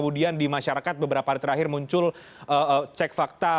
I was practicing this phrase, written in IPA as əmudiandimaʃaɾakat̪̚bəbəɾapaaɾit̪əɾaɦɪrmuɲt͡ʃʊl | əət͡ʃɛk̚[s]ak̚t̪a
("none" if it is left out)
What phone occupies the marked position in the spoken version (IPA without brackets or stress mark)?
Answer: f